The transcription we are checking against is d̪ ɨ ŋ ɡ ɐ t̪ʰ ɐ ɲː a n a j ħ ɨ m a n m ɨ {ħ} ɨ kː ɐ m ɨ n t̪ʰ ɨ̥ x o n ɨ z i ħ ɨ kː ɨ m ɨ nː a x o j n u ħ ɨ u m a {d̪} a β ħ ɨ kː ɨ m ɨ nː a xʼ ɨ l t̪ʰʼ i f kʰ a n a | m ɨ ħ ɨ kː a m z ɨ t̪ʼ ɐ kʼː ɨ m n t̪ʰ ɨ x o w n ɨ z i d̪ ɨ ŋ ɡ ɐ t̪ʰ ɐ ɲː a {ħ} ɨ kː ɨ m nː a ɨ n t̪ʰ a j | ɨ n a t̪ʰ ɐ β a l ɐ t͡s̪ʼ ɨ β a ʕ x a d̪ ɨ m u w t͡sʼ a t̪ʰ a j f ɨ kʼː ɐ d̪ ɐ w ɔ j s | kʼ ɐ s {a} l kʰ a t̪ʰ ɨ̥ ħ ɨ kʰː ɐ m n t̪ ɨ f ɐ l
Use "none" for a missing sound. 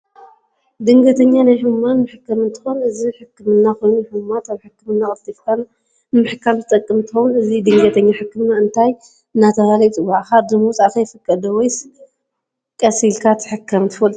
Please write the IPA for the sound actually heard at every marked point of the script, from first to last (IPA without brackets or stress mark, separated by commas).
ħ, t̪, ħ, i